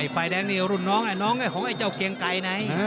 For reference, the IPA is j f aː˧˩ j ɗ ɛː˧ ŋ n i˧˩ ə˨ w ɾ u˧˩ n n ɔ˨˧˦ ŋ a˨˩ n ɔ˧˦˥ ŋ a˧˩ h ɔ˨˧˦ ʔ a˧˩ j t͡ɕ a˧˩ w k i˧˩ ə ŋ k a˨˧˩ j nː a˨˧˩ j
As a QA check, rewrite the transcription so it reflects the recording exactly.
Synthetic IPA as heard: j f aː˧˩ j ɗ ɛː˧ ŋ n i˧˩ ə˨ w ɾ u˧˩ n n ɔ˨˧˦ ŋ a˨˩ n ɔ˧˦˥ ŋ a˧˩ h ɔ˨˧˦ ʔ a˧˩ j t͡ɕ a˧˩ w k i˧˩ ə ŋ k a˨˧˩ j n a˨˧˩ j

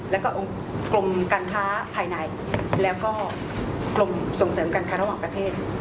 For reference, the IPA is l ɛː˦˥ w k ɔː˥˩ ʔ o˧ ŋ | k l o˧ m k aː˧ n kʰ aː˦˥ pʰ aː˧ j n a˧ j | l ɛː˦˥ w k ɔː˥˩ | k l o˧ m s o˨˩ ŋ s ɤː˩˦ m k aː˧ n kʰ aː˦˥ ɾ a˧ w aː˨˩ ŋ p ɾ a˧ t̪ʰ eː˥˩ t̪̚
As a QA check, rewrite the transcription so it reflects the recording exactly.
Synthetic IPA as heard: l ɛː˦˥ w k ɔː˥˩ ʔ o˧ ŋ | k l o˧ m k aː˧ n kʰ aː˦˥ pʰ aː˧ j n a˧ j | l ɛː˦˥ w k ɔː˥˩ | k l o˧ m s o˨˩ ŋ s ɤː˩˦ m k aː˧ n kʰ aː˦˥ ɾ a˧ w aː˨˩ ŋ p ɾ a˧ t̪ʰ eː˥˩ t̪̚

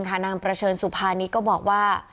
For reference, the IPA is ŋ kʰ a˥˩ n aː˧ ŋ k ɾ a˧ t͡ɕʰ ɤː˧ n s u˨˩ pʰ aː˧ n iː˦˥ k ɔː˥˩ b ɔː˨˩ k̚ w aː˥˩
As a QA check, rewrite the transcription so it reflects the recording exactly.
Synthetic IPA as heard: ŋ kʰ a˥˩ n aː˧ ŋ p ɾ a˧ t͡ɕʰ ɤː˧ n s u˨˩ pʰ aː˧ n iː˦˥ k ɔː˥˩ b ɔː˨˩ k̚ w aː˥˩

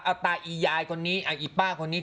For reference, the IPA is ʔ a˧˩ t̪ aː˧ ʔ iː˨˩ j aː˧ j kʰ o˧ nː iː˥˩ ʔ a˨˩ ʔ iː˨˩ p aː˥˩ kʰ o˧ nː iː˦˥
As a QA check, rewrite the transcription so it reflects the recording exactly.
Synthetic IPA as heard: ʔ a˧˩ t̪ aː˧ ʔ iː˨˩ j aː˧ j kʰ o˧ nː iː˦˥ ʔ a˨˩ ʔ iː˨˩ p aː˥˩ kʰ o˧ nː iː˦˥

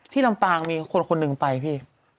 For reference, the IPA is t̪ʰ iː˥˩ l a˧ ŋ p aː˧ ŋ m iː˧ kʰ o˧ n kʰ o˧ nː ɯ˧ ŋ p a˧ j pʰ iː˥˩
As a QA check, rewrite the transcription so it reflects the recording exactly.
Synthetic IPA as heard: t̪ʰ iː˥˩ l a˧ m p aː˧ ŋ m iː˧ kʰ o˧ n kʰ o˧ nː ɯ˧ ŋ p a˧ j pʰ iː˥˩

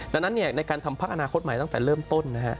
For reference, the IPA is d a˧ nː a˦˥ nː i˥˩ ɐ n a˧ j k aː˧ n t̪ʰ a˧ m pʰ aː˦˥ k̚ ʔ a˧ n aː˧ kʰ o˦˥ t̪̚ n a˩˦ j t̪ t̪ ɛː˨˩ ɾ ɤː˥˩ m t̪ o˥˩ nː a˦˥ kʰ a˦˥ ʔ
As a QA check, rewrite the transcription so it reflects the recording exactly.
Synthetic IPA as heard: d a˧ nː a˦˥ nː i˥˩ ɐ n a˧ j k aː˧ n t̪ʰ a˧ m pʰ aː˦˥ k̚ ʔ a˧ n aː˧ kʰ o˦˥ t̪̚ m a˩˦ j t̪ t̪ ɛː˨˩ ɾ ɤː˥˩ m t̪ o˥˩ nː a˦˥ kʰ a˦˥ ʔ

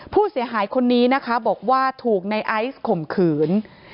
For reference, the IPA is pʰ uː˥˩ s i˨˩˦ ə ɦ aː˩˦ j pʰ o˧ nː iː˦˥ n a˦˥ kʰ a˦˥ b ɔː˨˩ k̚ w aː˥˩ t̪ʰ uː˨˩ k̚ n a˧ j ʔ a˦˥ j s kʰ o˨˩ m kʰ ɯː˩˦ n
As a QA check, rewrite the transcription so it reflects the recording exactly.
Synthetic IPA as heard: pʰ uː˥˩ s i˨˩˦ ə ɦ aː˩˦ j kʰ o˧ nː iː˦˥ n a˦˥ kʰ a˦˥ b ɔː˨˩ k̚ w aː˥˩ t̪ʰ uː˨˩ k̚ n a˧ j ʔ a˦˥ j s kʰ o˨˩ m kʰ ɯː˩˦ n

